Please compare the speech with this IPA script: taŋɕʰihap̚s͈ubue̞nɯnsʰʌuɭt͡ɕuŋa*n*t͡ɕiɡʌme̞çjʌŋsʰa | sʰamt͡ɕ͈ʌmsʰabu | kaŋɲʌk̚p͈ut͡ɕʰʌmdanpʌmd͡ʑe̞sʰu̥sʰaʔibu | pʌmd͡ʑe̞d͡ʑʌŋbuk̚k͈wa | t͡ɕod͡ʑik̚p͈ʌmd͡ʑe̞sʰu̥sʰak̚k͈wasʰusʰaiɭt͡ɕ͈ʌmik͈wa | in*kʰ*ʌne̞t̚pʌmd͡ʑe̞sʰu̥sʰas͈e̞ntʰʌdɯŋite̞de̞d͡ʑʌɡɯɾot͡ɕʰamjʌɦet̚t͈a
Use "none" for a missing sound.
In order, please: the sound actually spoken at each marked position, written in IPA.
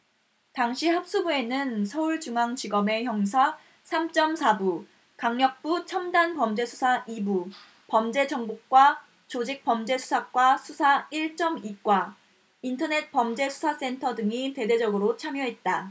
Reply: ŋ, tʰ

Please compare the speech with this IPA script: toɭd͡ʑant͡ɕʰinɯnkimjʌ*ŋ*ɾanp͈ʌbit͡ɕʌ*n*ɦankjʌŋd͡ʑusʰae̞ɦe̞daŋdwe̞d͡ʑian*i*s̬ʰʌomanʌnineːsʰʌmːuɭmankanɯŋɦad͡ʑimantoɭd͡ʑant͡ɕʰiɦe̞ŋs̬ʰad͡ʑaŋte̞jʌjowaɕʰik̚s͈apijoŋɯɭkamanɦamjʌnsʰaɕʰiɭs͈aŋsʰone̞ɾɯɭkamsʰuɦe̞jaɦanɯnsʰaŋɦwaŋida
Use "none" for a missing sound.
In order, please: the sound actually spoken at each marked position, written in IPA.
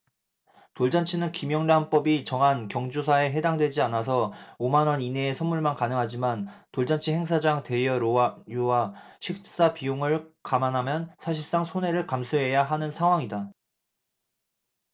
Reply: ŋ, ŋ, a

